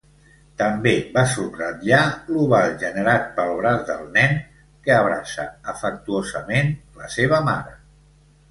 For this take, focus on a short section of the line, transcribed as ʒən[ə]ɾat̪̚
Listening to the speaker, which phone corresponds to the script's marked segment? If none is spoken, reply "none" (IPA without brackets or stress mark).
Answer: ə